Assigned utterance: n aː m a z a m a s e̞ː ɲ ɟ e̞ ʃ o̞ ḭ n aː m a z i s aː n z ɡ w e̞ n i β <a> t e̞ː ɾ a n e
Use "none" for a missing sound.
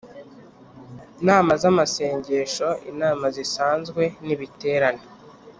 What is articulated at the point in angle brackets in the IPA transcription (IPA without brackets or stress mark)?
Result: i